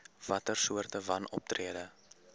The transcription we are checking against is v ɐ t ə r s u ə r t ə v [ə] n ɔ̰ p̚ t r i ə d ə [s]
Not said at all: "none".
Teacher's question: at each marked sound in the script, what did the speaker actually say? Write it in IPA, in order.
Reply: ɐ, none

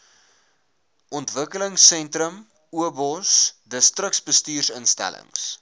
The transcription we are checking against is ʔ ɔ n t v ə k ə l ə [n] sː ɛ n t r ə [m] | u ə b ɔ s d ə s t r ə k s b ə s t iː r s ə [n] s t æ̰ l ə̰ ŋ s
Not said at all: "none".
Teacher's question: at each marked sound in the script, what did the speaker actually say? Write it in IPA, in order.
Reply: ŋ, m, n

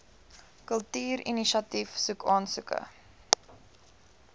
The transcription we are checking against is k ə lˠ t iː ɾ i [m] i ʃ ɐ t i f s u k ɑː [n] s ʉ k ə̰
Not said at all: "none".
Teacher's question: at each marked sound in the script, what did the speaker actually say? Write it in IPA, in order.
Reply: n, n

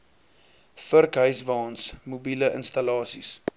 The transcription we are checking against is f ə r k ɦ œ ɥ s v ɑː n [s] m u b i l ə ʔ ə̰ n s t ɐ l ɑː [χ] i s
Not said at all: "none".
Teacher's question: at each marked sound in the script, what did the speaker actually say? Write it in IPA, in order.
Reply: s, s

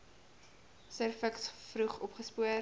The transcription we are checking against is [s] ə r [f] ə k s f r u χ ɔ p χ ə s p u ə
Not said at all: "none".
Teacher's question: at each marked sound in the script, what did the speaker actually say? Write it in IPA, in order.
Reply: s, f

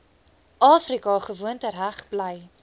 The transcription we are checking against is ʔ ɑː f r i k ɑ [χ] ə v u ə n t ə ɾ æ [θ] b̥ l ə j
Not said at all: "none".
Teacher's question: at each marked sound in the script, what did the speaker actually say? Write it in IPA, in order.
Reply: χ, χ

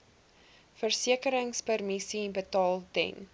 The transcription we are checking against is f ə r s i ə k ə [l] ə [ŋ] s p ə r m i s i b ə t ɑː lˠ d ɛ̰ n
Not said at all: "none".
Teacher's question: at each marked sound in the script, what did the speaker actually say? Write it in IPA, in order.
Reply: ɾ, ŋ

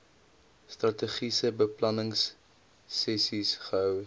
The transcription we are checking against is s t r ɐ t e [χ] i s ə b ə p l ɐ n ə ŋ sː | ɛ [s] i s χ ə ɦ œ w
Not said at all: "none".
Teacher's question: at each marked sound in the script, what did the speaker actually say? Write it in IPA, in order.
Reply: χ, s

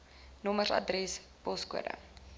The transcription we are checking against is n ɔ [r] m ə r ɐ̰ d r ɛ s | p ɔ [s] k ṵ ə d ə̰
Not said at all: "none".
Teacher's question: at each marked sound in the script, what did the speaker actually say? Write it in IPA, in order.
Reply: none, s

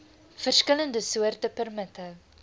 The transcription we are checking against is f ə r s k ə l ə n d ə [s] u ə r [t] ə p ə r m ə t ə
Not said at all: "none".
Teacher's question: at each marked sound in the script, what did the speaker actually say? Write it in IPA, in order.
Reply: s, t

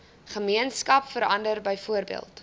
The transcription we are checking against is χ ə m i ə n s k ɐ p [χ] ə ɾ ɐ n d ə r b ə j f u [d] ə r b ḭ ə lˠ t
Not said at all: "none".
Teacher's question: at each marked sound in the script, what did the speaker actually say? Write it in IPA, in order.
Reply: f, none

